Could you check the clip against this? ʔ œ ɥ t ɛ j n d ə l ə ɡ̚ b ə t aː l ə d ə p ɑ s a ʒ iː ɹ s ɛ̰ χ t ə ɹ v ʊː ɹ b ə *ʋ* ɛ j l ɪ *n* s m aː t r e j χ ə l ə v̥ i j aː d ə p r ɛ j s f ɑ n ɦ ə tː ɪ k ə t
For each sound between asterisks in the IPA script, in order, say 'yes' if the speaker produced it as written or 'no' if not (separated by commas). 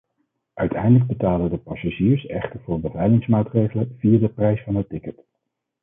no, no